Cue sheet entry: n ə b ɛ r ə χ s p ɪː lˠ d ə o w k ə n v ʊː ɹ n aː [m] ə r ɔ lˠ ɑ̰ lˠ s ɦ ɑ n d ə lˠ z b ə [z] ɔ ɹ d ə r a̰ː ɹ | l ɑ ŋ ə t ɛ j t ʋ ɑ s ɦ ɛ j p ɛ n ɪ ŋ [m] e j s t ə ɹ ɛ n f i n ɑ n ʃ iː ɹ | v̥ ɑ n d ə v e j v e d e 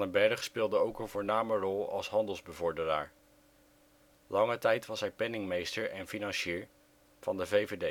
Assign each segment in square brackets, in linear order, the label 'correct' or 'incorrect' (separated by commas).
correct, incorrect, correct